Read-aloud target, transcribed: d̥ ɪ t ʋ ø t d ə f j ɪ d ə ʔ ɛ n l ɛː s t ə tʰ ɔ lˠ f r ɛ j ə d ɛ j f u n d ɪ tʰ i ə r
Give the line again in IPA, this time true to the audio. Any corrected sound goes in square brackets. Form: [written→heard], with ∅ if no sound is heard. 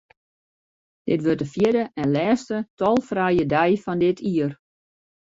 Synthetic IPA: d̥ ɪ t ʋ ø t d ə f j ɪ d ə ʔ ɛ n l ɛː s t ə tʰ ɔ lˠ f r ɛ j ə d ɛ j f [u→ɔ] n d ɪ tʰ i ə r